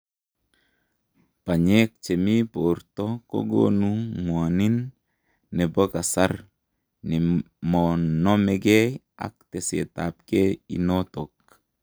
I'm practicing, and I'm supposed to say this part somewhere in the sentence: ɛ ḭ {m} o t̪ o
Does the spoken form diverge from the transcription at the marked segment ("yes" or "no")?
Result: yes